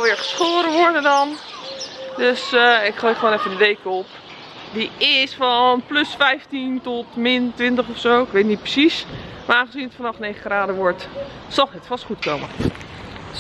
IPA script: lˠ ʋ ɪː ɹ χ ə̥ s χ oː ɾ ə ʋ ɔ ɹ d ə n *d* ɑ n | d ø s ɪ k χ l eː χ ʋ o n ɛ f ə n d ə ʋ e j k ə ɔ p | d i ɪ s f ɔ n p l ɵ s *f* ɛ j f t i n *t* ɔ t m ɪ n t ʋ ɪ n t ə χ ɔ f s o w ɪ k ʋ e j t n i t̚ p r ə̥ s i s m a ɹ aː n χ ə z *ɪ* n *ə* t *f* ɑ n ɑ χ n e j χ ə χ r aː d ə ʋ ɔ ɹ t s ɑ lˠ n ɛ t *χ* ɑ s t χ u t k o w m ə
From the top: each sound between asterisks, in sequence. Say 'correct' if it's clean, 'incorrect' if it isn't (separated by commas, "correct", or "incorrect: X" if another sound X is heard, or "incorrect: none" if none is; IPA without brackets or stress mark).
correct, correct, correct, incorrect: i, correct, correct, incorrect: f